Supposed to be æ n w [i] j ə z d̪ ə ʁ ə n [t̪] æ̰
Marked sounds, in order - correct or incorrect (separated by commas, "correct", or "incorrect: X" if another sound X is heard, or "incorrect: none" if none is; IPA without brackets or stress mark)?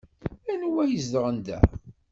incorrect: æ, incorrect: d̪